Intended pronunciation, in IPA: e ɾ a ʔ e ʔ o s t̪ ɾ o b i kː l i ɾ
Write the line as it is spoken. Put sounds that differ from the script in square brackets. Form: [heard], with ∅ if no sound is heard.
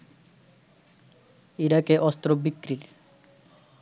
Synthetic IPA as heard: [i] ɾ a [k] e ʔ [ɔ] s t̪ ɾ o b i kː [ɾ] i ɾ